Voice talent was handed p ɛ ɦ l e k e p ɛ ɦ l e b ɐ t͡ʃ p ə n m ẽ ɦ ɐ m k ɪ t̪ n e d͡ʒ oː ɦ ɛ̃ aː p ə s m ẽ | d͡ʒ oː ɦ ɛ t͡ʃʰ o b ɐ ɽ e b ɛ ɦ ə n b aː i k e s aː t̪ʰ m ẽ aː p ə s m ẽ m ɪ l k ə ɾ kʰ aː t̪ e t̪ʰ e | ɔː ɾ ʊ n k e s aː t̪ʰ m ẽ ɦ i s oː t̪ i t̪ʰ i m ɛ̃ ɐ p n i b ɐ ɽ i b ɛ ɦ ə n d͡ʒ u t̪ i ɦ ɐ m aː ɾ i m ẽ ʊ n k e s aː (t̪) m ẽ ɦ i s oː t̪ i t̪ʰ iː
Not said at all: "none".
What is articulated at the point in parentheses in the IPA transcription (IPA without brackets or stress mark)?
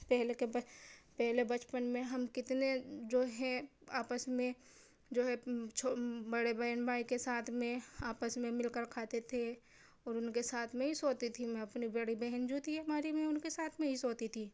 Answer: t̪ʰ